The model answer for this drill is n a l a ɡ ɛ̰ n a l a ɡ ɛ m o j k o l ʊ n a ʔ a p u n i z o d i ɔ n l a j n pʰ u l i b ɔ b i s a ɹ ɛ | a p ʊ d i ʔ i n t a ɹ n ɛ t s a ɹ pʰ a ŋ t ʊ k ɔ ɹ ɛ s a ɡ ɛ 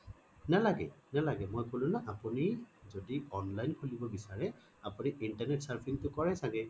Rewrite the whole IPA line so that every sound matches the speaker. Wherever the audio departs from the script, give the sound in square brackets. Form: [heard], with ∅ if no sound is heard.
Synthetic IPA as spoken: n a l a ɡ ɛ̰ n a l a ɡ ɛ m o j k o l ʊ n a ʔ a p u n i z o d i ɔ n l a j n [kʰ] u l i b ɔ b i s a ɹ ɛ | a p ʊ [n] i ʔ i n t a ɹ n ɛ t s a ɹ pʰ [i] ŋ t ʊ k ɔ ɹ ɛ s a ɡ ɛ